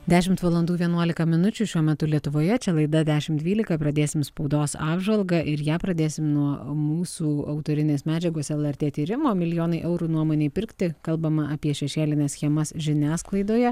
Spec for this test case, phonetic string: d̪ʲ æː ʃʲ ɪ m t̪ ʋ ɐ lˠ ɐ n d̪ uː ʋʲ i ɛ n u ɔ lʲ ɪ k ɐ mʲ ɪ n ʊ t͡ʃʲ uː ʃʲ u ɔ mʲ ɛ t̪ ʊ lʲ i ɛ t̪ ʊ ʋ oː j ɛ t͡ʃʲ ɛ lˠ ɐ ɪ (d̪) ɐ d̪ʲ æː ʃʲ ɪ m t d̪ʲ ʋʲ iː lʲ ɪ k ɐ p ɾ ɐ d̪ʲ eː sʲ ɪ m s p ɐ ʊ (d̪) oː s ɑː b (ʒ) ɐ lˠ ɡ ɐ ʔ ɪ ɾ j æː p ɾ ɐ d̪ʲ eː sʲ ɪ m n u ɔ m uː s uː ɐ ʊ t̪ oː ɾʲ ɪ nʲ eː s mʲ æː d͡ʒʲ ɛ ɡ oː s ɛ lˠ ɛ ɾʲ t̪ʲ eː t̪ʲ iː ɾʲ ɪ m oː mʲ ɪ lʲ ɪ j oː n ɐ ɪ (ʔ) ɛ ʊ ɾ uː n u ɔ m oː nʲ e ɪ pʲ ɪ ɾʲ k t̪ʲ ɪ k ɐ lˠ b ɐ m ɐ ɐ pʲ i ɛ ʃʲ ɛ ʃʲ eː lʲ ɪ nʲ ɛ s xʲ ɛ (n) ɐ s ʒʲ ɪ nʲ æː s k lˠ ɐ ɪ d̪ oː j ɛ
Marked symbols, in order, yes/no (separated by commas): yes, yes, yes, yes, no